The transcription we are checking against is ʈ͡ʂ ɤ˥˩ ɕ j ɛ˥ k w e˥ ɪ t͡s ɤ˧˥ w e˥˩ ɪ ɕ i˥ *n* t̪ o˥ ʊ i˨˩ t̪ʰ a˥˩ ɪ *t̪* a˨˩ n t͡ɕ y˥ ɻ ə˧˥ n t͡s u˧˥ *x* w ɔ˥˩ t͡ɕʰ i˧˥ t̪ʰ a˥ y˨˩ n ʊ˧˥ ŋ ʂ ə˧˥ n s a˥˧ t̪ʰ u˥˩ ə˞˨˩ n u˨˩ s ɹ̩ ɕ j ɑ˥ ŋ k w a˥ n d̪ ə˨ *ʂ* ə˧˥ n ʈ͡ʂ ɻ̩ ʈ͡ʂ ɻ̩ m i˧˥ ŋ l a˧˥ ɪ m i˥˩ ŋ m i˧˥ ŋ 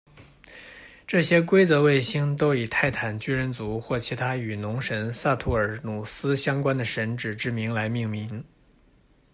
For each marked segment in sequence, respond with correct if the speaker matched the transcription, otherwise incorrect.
incorrect, incorrect, correct, correct

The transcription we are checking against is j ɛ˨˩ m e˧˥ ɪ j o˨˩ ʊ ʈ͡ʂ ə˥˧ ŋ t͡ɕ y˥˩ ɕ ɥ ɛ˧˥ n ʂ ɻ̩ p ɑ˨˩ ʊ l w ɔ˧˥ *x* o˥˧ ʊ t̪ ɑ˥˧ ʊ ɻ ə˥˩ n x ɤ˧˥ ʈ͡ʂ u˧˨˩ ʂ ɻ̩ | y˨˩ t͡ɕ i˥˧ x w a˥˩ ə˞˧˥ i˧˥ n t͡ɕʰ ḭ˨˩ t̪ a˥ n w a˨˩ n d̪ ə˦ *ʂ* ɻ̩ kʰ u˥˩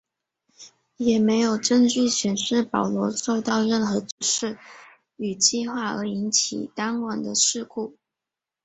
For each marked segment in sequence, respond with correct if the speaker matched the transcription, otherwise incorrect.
incorrect, correct

